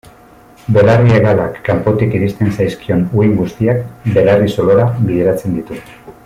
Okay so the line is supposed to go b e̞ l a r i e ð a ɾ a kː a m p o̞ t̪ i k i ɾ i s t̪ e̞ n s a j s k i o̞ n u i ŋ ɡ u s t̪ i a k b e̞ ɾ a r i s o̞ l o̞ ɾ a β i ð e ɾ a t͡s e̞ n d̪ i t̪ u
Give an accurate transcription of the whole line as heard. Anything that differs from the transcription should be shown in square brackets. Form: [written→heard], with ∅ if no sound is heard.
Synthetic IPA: b e̞ l a r i e [ð→ɣ] a [ɾ→l] a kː a m p o̞ t̪ i k i ɾ i s t̪ e̞ n s a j s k i o̞ n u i ŋ ɡ u s t̪ i a k b e̞ [ɾ→l] a r i s o̞ l o̞ ɾ a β i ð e ɾ a t͡s e̞ n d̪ i t̪ u